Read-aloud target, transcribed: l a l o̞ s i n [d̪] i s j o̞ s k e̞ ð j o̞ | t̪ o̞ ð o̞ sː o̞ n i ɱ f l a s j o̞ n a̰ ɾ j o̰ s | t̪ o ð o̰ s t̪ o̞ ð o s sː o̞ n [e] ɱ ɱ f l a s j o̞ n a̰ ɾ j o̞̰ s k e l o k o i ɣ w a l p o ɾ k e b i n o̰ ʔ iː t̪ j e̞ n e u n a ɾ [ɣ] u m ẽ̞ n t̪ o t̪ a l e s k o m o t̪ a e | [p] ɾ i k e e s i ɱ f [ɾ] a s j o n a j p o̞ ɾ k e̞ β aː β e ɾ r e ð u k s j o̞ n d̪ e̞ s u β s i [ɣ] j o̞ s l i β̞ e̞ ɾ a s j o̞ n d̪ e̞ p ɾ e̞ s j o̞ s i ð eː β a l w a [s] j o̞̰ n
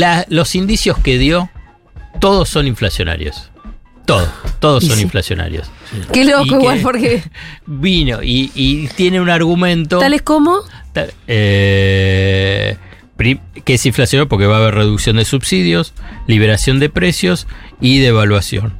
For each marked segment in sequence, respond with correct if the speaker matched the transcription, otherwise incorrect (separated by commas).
correct, incorrect, correct, correct, incorrect, incorrect, correct